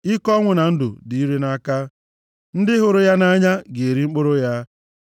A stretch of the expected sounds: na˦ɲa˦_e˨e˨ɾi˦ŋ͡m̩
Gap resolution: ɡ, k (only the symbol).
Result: ɡ